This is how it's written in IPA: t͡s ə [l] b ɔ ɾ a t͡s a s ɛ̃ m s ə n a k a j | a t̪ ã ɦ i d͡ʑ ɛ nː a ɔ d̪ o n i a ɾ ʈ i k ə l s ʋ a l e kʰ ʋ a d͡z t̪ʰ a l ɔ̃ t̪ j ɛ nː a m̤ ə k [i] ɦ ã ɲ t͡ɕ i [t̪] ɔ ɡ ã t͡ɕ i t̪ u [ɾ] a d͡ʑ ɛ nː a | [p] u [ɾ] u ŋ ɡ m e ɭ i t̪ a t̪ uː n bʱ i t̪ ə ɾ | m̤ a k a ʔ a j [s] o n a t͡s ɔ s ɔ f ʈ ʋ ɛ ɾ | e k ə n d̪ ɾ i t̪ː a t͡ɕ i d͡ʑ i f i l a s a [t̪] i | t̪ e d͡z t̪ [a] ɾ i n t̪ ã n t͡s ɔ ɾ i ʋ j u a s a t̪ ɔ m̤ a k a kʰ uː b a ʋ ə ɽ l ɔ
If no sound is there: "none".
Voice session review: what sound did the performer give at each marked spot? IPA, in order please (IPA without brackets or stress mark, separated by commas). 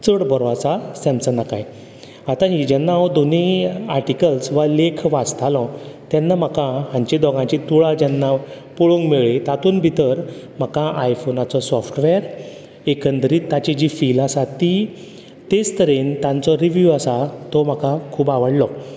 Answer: ɽ, a, d̪, ɭ, p, ɭ, f, t̪, ə